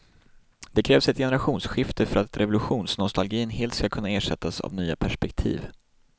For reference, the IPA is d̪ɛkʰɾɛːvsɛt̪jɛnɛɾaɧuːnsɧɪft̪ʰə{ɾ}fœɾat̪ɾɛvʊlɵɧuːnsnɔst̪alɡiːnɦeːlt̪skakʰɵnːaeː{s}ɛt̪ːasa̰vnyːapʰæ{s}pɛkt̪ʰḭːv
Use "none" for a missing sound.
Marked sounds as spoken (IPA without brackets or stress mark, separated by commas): none, ʂ, ʂ